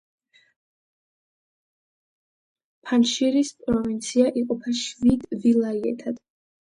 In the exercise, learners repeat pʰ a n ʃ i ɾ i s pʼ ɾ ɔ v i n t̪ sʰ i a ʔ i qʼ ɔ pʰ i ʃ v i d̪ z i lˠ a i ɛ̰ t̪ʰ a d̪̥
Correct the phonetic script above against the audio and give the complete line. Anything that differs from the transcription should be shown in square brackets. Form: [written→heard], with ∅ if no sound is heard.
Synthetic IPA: pʰ a n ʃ i ɾ i s pʼ ɾ ɔ v i n t̪ sʰ i a ʔ i qʼ ɔ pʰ [i→a] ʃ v i d̪ [z→v] i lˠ a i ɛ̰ t̪ʰ a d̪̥

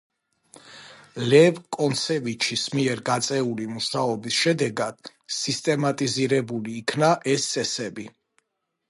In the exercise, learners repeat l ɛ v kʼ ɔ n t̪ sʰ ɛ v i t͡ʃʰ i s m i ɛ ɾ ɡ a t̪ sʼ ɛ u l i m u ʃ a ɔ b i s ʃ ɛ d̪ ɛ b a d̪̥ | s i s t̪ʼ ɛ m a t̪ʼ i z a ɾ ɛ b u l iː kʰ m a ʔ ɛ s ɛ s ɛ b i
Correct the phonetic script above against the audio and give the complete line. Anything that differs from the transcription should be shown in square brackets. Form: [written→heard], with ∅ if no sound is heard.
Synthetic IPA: l ɛ v kʼ ɔ n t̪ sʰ ɛ v i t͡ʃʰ i s m i ɛ ɾ ɡ a t̪ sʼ ɛ u l i m u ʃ a ɔ b i s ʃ ɛ d̪ ɛ [b→ɡ] a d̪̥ | s i s t̪ʼ ɛ m a t̪ʼ i z [a→i] ɾ ɛ b u l iː kʰ [m→n] a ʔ ɛ s ɛ s ɛ b i

